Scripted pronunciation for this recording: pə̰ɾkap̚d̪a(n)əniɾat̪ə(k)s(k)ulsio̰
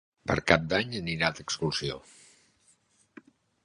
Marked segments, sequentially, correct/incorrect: incorrect: ɲ, correct, correct

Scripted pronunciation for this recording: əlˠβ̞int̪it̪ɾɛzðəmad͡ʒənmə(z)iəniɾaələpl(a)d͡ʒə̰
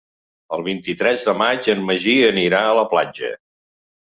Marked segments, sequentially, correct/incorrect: incorrect: ʒ, correct

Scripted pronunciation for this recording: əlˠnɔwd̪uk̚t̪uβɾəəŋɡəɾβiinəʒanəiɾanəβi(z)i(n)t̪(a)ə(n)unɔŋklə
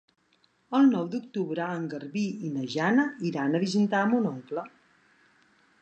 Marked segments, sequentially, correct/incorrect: correct, correct, correct, incorrect: m

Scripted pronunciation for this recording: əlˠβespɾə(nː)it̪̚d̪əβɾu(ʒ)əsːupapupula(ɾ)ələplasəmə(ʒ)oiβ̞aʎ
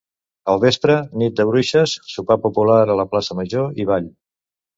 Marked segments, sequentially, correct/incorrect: incorrect: n, incorrect: ʃ, correct, correct

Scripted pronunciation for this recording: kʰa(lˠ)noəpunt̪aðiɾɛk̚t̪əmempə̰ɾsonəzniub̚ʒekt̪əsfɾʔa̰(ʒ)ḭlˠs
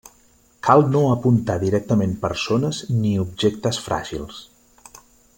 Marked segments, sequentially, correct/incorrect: correct, correct

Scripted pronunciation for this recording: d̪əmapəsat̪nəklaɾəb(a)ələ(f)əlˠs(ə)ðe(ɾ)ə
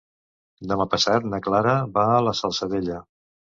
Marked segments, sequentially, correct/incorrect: correct, incorrect: s, correct, incorrect: ʎ

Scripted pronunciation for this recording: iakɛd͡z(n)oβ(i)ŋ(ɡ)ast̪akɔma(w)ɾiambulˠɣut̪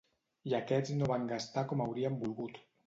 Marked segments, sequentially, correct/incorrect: correct, incorrect: a, correct, correct

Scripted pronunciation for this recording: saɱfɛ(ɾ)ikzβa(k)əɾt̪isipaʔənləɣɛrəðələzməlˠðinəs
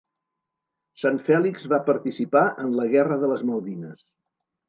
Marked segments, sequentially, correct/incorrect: incorrect: l, incorrect: p

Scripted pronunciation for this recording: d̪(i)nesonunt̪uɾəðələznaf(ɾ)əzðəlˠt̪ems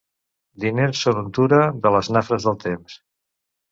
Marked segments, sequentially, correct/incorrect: correct, correct

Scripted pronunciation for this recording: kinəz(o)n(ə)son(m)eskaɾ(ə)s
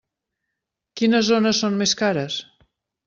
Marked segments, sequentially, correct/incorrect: correct, correct, correct, correct

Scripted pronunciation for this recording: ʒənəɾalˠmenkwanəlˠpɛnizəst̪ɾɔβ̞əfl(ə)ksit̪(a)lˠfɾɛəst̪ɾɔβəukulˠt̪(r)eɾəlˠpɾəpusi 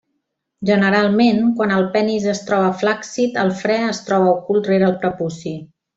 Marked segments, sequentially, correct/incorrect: incorrect: a, incorrect: ə, correct

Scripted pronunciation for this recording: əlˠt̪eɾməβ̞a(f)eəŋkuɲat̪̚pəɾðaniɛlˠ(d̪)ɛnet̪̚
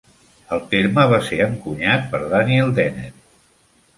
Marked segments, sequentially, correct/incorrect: incorrect: s, correct

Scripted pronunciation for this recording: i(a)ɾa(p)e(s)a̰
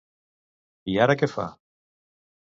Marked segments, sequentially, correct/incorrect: correct, incorrect: k, incorrect: f

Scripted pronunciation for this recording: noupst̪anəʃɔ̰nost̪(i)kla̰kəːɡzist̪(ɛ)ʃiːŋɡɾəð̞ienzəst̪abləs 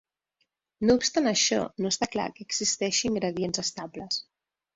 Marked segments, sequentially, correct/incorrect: incorrect: a, correct

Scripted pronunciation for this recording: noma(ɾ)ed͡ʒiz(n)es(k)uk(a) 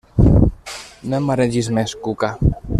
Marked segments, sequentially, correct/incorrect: correct, incorrect: m, correct, correct

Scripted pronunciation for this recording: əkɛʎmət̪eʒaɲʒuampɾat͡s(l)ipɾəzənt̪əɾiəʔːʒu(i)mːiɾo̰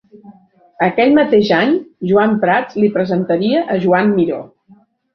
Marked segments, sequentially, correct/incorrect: correct, incorrect: a

